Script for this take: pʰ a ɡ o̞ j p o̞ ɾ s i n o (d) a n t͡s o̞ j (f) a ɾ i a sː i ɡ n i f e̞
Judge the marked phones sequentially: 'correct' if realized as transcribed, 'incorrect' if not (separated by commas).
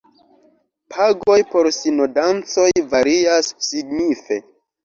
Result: correct, incorrect